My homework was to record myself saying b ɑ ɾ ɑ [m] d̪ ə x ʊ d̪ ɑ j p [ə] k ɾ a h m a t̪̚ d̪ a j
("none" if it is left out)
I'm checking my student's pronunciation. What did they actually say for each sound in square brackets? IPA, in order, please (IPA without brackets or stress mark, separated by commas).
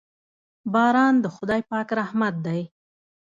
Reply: n, ɑ